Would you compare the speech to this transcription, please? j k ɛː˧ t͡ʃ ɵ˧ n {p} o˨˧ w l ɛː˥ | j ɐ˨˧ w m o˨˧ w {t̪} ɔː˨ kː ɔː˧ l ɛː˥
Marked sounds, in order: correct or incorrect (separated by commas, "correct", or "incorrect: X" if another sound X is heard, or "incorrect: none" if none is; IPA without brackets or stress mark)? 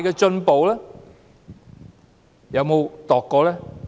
correct, correct